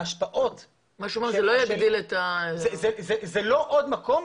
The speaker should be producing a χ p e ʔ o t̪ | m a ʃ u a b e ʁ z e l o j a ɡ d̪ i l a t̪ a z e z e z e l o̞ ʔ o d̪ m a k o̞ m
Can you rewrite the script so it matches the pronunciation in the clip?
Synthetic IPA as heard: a ʃ p a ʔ o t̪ | m a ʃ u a m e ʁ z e l o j a ɡ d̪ i l e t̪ a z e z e z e l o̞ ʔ o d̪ m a k o̞ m